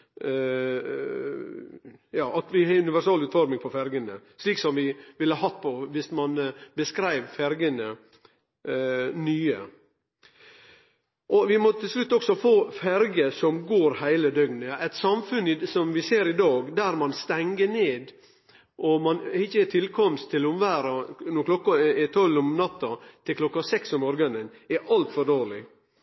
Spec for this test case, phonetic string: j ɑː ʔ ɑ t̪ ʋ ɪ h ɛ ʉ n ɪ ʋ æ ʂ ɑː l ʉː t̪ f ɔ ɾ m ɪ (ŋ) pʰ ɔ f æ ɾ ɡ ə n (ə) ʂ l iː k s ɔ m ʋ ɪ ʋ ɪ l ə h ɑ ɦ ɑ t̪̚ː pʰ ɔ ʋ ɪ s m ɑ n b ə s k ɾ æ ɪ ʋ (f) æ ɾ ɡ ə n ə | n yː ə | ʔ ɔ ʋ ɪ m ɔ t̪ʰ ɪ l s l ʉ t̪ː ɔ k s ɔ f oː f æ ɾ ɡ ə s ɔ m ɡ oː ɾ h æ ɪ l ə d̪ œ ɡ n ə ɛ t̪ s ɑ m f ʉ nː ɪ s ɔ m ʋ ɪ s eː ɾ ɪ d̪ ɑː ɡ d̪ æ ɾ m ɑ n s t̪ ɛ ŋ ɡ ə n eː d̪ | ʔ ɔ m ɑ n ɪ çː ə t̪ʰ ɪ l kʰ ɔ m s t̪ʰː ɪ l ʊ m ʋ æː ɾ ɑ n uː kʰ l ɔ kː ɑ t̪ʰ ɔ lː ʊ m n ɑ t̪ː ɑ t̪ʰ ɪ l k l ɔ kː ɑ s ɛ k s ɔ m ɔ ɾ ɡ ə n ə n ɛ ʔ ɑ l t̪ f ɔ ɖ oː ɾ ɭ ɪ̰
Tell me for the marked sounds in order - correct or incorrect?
correct, correct, correct

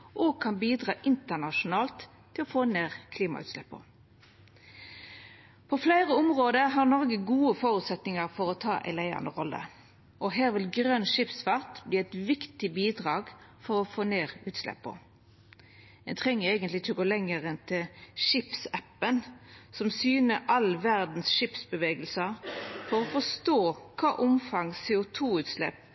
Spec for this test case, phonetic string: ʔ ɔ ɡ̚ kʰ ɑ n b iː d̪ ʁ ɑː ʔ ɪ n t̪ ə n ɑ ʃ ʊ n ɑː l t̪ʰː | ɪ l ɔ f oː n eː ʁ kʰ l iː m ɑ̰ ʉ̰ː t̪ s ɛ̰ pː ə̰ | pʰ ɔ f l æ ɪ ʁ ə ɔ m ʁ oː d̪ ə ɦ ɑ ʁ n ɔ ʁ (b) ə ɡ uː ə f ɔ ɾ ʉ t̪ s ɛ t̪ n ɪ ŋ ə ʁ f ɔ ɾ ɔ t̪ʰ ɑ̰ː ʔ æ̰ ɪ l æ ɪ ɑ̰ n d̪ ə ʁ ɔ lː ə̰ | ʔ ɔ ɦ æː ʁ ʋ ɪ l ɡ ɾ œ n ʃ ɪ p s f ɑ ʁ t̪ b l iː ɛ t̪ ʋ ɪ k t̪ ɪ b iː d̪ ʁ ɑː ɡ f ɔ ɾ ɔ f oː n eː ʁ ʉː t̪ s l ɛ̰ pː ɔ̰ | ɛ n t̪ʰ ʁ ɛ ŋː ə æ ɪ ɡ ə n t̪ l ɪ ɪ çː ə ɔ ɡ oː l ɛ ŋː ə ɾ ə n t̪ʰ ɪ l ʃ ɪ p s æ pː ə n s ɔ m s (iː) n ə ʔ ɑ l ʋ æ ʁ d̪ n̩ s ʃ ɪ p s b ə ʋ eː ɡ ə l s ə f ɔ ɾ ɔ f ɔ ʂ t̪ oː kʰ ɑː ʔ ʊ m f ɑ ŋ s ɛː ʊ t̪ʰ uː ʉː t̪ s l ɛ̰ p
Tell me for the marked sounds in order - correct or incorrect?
incorrect: ɡ, incorrect: yː

